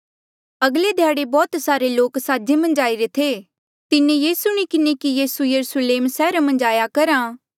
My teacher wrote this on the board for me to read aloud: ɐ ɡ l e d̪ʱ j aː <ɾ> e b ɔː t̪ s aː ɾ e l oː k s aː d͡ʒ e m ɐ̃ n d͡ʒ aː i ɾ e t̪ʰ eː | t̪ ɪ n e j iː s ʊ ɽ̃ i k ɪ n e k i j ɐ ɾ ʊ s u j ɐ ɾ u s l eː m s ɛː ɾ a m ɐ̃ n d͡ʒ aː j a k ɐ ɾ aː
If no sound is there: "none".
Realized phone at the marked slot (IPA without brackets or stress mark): ɽ